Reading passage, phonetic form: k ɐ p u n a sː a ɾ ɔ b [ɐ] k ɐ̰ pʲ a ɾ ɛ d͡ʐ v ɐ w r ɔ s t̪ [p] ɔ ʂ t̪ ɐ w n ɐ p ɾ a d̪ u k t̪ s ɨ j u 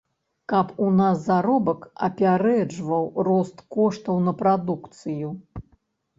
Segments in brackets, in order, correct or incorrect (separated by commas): correct, incorrect